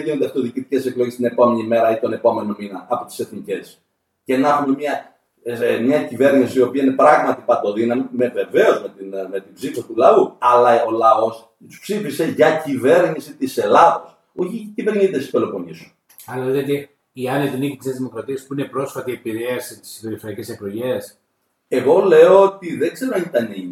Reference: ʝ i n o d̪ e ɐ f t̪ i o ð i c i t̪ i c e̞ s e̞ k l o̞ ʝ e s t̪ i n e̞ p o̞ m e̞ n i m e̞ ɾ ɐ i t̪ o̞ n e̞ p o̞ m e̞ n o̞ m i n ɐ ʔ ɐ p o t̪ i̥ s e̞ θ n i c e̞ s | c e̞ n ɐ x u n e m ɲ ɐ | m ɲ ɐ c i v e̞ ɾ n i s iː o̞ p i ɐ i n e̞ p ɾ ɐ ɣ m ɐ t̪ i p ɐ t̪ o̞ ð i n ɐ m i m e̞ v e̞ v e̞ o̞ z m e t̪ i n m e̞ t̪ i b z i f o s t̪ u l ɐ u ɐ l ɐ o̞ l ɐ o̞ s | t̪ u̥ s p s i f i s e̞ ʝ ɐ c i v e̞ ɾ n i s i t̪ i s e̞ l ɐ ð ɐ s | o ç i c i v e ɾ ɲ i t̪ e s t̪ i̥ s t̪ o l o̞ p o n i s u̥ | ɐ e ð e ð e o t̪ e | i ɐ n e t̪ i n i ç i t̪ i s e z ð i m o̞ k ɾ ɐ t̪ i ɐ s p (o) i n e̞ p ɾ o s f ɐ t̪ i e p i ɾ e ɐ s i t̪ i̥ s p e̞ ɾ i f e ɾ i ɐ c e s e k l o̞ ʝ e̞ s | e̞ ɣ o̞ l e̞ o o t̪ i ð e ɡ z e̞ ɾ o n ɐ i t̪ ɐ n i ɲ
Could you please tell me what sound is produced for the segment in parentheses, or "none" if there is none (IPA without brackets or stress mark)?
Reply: u